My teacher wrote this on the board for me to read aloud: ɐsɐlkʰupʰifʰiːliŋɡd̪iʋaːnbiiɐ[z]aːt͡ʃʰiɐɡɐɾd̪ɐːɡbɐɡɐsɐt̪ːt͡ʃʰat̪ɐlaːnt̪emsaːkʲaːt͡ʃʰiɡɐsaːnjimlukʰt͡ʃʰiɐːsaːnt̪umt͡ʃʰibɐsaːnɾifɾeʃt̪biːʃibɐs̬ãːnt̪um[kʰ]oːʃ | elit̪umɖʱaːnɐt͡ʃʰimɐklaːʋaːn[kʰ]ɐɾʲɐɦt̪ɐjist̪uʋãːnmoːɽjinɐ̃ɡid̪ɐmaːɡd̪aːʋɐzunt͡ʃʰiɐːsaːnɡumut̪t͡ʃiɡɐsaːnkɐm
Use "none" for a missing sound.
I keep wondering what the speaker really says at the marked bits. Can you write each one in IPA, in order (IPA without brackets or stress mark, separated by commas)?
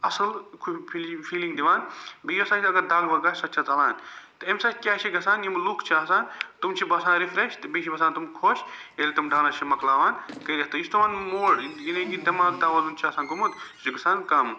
s, kʰ, k